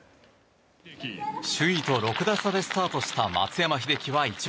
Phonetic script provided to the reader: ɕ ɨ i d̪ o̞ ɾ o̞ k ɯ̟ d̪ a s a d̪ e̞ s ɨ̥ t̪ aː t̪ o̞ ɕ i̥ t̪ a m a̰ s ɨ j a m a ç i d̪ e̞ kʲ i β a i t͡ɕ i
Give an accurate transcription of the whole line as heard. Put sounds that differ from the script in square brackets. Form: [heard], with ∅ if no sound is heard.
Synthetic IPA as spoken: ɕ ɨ i [t̪] o̞ ɾ o̞ k ɯ̟ d̪ a s a d̪ e̞ s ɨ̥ t̪ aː t̪ o̞ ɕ i̥ t̪ a m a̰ [t͡s] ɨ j a m a ç i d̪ e̞ kʲ i β a i t͡ɕ i